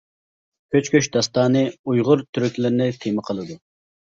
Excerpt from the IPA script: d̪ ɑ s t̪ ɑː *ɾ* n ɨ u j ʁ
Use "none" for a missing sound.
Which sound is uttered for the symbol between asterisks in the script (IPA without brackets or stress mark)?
none